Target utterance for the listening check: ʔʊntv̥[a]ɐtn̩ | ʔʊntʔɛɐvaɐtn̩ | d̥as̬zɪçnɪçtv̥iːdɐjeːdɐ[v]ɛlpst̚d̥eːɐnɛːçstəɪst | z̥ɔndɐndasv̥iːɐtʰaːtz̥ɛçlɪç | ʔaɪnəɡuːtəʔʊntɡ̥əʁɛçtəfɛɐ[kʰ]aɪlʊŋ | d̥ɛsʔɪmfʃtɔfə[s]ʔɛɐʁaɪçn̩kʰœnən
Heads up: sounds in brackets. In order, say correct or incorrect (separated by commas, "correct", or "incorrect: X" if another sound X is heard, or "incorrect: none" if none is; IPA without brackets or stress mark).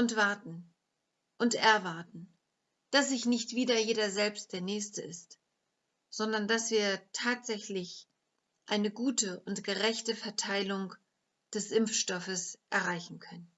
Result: correct, incorrect: z, incorrect: tʰ, correct